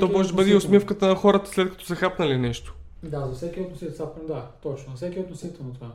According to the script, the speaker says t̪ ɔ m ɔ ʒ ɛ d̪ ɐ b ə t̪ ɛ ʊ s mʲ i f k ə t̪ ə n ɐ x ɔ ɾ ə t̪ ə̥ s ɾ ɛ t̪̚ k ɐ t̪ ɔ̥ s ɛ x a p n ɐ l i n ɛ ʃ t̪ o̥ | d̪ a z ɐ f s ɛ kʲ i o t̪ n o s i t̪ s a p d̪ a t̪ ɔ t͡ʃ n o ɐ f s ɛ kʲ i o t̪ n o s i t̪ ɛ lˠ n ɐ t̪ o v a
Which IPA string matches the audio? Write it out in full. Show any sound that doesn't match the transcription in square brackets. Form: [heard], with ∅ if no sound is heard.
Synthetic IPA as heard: t̪ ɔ m ɔ ʒ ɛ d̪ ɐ b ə [d̪] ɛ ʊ s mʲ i f k ə t̪ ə n ɐ x ɔ ɾ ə t̪ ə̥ s [l] ɛ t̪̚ k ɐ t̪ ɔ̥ s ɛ x a p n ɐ l i n ɛ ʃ t̪ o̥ | d̪ a z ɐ f s ɛ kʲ i o t̪ n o s i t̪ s a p d̪ a t̪ ɔ t͡ʃ n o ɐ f s ɛ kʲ i o t̪ n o s i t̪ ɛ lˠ n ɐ t̪ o v a